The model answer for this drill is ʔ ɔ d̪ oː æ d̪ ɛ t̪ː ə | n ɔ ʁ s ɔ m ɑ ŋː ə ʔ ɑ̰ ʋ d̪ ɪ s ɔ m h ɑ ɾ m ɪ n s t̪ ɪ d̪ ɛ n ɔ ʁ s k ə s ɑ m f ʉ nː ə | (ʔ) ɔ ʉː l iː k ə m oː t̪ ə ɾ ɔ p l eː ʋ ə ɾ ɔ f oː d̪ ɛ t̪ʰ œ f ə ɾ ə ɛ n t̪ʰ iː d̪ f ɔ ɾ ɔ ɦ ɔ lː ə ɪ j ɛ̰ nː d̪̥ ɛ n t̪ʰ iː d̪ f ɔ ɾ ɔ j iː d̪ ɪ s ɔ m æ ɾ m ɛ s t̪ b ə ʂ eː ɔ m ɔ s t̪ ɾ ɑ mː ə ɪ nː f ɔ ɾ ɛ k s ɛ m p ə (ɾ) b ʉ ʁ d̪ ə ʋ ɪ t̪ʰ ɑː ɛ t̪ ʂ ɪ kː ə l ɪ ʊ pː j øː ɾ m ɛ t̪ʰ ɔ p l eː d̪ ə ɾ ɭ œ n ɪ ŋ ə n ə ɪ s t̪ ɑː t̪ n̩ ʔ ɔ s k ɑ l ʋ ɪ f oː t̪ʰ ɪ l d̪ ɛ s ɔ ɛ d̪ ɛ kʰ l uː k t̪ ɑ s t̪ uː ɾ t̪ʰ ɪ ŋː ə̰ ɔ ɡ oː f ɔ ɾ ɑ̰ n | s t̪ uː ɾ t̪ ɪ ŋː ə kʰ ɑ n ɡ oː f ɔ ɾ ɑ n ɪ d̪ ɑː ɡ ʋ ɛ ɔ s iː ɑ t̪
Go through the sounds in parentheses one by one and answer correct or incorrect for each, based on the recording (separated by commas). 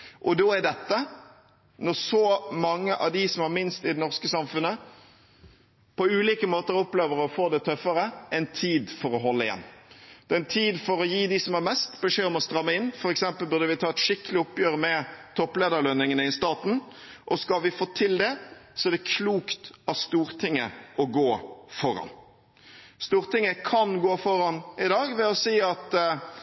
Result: incorrect, incorrect